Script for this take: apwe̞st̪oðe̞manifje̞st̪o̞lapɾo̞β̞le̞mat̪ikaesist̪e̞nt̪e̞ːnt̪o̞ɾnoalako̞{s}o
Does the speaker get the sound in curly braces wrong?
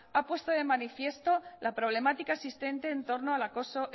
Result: no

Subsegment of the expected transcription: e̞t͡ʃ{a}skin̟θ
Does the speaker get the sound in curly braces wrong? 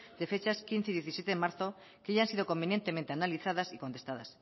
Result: no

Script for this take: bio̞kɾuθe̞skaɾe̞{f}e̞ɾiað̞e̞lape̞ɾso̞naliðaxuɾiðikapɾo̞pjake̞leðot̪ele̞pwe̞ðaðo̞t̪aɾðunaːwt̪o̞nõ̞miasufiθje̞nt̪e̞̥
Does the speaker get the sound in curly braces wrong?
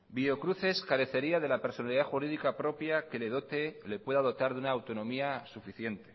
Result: yes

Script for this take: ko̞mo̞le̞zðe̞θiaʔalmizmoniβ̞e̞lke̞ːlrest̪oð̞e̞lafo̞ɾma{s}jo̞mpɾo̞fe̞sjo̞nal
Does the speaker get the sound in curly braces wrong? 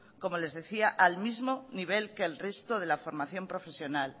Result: yes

